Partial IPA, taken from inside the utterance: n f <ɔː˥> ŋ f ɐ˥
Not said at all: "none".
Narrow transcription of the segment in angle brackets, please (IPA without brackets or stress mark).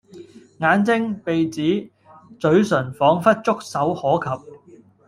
ɔː˨˥